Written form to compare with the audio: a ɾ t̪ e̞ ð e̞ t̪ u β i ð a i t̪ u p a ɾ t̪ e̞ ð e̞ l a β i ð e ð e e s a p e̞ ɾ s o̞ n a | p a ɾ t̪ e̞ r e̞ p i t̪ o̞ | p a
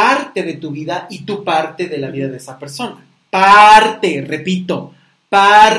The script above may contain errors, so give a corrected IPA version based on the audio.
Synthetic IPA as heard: a ɾ t̪ e̞ ð e̞ t̪ u β i ð a i t̪ u p a ɾ t̪ e̞ ð e̞ l a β i ð a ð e e s a p e̞ ɾ s o̞ n a | p a ɾ t̪ e̞ r e̞ p i t̪ o̞ | p a